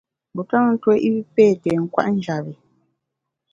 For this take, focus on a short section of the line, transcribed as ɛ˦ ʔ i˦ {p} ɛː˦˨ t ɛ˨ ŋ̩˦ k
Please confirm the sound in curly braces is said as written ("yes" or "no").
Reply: yes